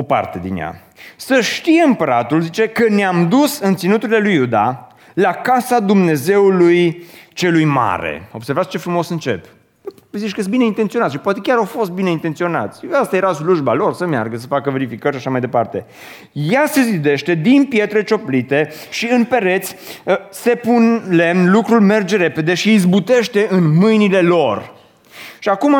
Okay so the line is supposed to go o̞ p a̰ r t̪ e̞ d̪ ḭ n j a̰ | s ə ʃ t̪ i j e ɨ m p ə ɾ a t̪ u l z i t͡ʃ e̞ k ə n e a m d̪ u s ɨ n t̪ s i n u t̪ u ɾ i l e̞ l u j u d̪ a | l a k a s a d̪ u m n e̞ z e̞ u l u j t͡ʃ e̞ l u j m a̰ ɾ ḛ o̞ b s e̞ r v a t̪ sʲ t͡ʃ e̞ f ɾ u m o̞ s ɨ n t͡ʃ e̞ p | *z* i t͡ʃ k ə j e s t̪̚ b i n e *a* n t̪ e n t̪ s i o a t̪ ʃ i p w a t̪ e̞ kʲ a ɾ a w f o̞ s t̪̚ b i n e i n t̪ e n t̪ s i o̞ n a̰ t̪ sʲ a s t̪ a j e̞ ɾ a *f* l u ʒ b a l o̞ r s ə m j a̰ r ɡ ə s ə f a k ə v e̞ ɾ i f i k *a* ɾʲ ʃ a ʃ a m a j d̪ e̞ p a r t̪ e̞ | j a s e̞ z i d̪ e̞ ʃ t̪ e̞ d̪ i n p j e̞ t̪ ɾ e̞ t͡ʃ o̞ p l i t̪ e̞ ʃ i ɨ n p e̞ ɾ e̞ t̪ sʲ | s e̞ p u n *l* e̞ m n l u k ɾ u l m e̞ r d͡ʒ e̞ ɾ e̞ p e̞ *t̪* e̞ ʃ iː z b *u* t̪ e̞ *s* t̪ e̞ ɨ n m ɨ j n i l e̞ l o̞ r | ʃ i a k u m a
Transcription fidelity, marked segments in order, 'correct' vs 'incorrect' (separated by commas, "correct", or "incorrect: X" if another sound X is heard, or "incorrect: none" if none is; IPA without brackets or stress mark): correct, incorrect: i, incorrect: s, incorrect: ə, correct, incorrect: d̪, correct, incorrect: ʃ